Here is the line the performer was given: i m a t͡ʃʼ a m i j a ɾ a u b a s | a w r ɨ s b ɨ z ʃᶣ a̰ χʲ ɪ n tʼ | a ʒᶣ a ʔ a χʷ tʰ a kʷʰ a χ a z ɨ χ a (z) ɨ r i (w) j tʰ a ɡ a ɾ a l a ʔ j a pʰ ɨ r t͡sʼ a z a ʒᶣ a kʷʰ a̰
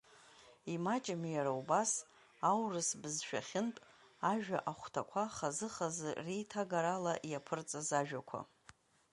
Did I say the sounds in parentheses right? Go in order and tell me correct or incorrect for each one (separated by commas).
correct, incorrect